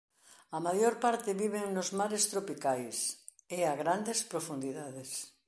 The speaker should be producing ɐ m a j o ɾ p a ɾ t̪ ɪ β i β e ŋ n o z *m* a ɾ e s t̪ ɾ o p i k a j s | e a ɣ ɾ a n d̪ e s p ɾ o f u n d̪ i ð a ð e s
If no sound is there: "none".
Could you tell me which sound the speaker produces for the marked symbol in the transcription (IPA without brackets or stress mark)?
m